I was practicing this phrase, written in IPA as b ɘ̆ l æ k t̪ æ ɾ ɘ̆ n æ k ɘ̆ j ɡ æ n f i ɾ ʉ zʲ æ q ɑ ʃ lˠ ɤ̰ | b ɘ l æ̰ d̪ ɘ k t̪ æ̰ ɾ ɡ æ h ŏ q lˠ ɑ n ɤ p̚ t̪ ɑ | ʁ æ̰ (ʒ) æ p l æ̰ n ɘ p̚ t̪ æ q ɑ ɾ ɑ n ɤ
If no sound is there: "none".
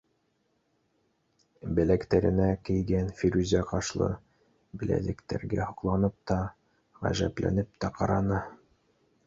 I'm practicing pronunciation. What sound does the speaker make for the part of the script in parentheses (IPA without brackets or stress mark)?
ʒ